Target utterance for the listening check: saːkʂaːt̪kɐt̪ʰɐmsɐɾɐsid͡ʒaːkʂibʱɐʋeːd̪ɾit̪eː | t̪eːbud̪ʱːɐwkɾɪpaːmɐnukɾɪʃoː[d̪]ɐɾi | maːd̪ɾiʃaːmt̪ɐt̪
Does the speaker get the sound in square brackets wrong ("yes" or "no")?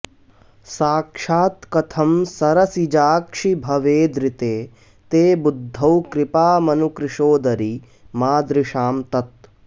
no